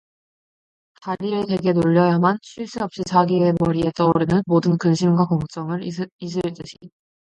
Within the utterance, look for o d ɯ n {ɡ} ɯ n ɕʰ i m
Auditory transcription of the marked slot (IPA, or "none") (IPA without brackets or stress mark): k